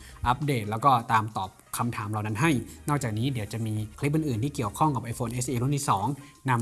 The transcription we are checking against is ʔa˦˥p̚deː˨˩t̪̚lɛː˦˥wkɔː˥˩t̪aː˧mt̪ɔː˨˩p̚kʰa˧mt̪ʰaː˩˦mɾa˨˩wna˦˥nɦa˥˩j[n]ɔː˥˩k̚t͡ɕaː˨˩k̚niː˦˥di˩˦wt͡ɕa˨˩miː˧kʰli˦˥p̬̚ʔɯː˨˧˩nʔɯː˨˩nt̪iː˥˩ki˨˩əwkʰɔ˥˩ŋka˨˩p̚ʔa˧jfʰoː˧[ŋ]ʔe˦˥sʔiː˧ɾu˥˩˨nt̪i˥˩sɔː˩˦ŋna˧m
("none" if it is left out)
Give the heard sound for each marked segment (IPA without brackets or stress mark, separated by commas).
n, n